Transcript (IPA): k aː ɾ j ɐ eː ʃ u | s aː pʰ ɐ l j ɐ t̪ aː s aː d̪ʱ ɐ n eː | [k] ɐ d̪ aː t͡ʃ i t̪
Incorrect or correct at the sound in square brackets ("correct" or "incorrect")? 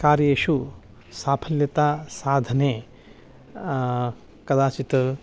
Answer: correct